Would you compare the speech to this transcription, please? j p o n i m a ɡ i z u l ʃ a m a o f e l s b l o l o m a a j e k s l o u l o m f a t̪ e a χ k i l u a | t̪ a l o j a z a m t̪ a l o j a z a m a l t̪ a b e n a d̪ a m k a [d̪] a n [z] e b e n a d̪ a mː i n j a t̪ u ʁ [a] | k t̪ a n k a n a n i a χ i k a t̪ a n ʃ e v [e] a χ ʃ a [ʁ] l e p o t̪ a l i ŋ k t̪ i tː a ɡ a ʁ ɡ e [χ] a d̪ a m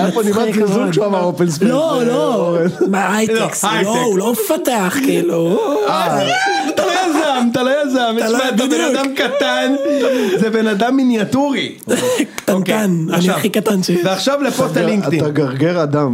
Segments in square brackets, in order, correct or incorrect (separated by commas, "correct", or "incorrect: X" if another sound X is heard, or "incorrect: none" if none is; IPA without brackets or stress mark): incorrect: t̪, correct, incorrect: i, correct, incorrect: v, incorrect: ʁ